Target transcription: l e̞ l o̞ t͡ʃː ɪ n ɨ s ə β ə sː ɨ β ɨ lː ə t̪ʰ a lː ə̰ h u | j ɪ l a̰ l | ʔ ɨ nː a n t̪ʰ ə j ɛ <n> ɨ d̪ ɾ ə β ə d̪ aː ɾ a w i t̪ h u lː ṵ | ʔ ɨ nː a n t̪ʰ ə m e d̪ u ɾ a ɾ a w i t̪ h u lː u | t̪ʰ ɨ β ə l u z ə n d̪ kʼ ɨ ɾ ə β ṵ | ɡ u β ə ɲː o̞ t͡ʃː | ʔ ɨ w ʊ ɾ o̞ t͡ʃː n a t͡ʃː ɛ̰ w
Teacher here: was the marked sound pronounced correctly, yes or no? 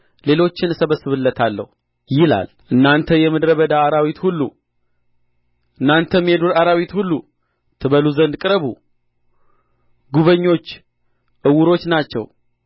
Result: no